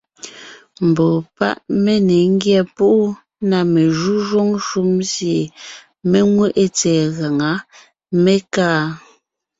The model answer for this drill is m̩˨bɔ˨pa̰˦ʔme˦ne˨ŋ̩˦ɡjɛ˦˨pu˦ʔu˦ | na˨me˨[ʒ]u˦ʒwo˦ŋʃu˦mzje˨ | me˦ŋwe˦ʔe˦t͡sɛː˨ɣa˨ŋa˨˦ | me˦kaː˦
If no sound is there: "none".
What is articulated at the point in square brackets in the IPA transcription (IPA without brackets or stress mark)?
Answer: ʒ